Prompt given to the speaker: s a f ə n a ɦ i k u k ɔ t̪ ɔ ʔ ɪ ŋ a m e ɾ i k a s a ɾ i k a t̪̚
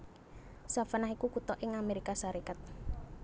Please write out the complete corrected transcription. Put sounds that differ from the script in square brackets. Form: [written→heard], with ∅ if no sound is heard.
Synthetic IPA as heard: s a f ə n a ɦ i k u k [ɔ→u] t̪ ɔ ʔ ɪ ŋ a m e ɾ i k a s a ɾ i k a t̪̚